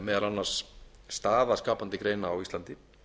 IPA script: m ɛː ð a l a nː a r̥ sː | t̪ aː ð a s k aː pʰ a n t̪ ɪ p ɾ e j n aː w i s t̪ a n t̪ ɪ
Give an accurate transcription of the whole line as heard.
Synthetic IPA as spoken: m ɛː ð a l a nː a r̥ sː | t̪ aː ð a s k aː p a n t̪ ɪ k ɾ e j n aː w i s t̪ a n t̪ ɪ